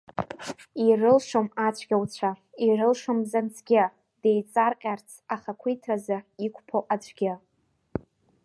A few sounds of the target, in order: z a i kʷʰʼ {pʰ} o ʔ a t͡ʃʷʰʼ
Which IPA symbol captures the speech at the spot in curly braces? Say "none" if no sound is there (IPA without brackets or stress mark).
pʰ